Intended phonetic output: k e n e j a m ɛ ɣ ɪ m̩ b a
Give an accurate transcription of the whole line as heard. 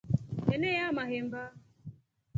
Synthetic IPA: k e n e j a m a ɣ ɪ m̩ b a